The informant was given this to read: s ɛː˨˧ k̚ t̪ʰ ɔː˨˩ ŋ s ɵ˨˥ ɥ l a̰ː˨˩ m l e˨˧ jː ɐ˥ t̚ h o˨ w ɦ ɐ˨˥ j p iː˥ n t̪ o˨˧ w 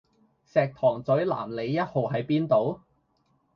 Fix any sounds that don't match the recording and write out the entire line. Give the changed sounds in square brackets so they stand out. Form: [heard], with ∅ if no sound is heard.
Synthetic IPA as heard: s ɛː˨˧ k̚ t̪ʰ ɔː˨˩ ŋ [t͡s] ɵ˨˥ ɥ l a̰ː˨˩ m l e˨˧ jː ɐ˥ t̚ h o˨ w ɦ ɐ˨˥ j p iː˥ n t̪ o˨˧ w

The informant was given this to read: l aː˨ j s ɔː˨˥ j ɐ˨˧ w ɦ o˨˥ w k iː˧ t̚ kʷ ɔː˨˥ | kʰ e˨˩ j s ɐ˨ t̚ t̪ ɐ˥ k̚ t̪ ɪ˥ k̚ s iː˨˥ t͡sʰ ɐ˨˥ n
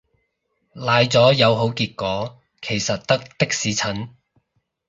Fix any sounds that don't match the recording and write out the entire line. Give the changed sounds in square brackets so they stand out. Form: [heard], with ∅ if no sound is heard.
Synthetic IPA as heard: l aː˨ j [t͡s] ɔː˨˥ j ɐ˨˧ w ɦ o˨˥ w k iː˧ t̚ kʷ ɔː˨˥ | kʰ e˨˩ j s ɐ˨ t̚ t̪ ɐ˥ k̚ t̪ ɪ˥ k̚ s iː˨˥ t͡sʰ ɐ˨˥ n

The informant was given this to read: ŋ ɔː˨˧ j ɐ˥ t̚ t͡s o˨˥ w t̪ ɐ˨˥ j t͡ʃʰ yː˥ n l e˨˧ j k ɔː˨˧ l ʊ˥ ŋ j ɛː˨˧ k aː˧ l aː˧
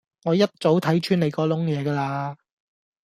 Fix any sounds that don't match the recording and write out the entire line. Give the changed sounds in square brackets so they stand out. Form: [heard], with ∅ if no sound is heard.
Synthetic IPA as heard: ŋ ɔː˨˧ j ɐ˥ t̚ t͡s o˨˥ w [t̪ʰ] ɐ˨˥ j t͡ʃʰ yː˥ n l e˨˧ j k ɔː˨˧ l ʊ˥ ŋ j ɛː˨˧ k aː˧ l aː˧

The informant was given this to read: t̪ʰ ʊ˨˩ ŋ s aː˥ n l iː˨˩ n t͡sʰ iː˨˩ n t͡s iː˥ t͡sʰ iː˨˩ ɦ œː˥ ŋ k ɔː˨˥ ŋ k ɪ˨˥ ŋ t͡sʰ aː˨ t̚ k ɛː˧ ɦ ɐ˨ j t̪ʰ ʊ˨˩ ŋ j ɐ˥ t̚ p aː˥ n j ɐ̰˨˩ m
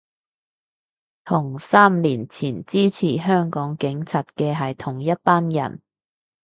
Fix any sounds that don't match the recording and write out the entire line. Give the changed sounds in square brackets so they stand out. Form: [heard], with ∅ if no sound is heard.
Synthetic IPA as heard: t̪ʰ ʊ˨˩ ŋ s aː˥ [m] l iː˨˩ n t͡sʰ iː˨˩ n t͡s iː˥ t͡sʰ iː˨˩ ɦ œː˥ ŋ k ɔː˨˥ ŋ k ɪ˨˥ ŋ t͡sʰ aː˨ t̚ k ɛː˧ ɦ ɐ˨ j t̪ʰ ʊ˨˩ ŋ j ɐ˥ t̚ p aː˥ n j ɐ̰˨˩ [n]

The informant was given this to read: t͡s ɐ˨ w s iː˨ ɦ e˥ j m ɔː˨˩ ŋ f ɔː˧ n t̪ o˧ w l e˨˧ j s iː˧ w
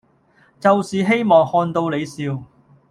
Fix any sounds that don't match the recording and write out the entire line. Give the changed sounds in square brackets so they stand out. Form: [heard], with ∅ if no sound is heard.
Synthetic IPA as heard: t͡s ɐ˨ w s iː˨ ɦ e˥ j m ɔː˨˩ ŋ [h] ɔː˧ n t̪ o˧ w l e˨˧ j s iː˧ w

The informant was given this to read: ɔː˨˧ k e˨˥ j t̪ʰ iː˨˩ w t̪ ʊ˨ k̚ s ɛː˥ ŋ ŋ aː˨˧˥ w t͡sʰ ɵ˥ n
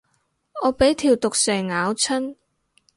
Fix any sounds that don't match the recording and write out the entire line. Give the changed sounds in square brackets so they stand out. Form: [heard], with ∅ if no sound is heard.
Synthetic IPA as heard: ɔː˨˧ [p] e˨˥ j t̪ʰ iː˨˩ w t̪ ʊ˨ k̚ s [ɛː˨˩] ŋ ŋ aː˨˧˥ w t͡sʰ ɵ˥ n

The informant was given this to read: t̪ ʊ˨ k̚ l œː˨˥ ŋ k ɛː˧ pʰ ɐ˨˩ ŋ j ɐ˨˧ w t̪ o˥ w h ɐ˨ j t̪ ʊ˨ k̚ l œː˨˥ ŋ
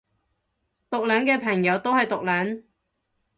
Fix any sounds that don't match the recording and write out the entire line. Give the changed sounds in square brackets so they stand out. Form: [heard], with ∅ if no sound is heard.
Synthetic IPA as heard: t̪ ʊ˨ k̚ l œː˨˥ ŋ k ɛː˧ pʰ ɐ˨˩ ŋ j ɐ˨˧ w t̪ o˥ w h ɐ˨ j t̪ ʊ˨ k̚ l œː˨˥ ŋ

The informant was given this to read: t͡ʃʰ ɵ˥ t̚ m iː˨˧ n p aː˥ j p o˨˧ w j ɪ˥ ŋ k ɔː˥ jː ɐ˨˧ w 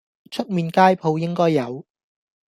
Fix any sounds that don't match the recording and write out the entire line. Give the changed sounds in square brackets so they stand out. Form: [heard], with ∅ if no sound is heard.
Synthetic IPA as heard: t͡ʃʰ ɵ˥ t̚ m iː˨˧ n [k] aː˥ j [pʰ] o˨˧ w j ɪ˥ ŋ k ɔː˥ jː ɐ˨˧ w

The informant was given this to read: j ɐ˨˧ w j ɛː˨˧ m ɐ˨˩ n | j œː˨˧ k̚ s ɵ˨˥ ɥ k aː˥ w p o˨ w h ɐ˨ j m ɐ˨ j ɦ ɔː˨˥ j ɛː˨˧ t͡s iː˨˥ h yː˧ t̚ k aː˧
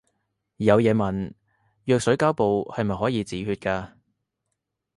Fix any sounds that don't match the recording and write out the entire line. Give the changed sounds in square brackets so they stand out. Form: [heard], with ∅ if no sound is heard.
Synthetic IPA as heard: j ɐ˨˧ w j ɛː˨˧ m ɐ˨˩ n | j œː˨˧ k̚ s ɵ˨˥ ɥ k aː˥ w p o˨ w h ɐ˨ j m ɐ˨ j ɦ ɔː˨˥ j [iː˨˧] t͡s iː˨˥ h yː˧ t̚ k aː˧

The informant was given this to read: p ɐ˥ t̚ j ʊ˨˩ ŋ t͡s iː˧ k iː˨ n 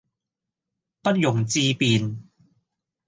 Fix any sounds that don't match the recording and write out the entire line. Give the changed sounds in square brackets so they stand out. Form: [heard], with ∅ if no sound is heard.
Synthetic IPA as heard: p ɐ˥ t̚ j ʊ˨˩ ŋ t͡s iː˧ [p] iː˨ n

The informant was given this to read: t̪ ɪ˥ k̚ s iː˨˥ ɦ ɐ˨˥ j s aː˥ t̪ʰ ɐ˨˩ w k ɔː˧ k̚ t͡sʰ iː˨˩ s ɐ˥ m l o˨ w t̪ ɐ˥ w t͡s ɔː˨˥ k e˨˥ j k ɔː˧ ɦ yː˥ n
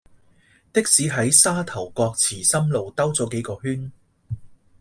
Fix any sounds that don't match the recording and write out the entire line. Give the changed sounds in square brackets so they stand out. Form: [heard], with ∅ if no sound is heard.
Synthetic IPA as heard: t̪ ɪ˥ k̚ s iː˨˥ ɦ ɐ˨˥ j s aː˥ t̪ʰ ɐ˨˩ w k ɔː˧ k̚ t͡sʰ iː˨˩ s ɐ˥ m l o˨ w t̪ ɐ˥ w t͡s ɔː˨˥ k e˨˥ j k ɔː˧ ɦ yː˥ n

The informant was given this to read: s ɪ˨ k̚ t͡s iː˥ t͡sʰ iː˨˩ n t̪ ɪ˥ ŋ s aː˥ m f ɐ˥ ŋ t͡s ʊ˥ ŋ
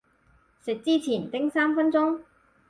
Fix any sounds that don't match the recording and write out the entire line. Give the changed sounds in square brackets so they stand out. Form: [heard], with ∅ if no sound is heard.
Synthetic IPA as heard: s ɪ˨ k̚ t͡s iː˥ t͡sʰ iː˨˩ n t̪ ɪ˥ ŋ s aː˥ m f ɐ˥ [n] t͡s ʊ˥ ŋ

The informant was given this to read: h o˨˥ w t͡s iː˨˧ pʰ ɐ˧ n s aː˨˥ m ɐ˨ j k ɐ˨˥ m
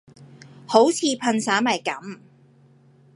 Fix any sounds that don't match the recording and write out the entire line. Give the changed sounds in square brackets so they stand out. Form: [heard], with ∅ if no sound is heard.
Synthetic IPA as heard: h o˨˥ w [t͡sʰ] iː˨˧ pʰ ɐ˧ n s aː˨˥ m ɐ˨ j k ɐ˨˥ m

